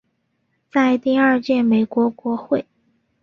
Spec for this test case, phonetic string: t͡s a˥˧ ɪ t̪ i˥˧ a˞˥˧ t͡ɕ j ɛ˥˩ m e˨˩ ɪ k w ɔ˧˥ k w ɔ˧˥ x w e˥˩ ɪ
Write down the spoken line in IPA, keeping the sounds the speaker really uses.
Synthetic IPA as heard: t͡s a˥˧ ɪ t̪ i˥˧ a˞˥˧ t͡ɕ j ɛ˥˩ m e˨˩ ɪ k w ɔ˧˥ k w ɔ˧˥ x w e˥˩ ɪ